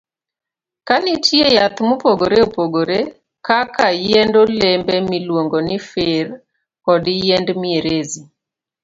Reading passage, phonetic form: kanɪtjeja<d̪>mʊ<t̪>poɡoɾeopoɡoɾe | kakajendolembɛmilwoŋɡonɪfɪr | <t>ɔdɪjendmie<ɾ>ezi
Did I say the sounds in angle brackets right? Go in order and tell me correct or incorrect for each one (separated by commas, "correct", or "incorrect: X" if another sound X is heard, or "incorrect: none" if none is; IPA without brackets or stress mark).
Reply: incorrect: t̪, incorrect: none, incorrect: k, correct